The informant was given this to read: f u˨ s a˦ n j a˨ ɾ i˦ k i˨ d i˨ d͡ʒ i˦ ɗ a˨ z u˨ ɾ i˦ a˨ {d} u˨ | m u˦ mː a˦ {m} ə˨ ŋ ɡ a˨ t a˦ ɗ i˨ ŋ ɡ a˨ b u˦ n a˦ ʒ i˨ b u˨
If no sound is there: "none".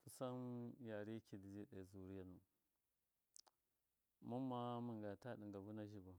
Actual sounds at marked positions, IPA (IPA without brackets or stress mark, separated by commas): n, m